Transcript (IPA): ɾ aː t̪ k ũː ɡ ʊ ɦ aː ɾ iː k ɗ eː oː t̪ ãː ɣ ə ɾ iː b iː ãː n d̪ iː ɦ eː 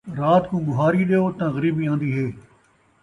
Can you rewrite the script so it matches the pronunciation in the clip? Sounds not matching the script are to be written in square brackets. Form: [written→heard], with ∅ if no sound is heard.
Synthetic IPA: ɾ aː t̪ k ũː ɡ ʊ ɦ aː ɾ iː [k→∅] ɗ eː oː t̪ ãː ɣ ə ɾ iː b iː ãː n d̪ iː ɦ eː